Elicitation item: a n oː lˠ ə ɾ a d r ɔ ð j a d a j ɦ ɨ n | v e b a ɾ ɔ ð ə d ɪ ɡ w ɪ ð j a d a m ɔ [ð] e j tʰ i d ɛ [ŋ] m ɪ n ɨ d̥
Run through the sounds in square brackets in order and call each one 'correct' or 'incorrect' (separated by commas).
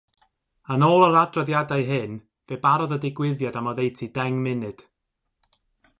correct, correct